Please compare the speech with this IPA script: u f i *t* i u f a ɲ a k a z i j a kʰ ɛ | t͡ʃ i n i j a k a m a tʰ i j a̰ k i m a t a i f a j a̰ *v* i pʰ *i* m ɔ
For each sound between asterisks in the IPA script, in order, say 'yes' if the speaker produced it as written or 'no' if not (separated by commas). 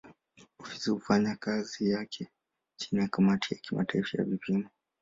no, yes, yes